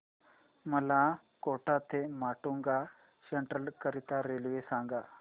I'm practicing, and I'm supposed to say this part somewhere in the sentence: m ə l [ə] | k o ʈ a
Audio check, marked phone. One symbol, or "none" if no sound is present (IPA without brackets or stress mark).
a